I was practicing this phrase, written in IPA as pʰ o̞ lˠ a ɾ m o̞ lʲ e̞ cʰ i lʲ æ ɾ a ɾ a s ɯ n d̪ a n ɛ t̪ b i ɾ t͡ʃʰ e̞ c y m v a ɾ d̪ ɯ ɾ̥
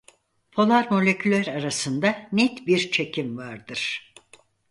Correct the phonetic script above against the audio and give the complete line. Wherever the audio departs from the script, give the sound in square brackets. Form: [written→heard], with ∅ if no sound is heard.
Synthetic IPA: pʰ o̞ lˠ a ɾ m o̞ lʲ e̞ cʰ [i→y] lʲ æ ɾ a ɾ a s ɯ n d̪ a n ɛ t̪ b i ɾ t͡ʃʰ e̞ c [y→i] m v a ɾ d̪ ɯ ɾ̥